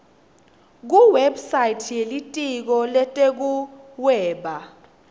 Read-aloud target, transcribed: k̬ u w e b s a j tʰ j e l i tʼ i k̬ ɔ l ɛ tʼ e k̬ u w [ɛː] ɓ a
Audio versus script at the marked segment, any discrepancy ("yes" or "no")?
no